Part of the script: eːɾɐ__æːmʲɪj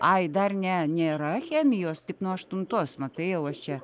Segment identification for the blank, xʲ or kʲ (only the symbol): xʲ